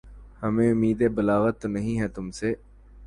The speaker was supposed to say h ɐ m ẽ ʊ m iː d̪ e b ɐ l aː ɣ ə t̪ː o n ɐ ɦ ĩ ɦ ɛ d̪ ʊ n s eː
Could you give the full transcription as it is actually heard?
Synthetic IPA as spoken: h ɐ m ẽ ʊ m iː d̪ e b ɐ l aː ɣ ə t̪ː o n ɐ ɦ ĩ ɦ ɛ t̪ ʊ m s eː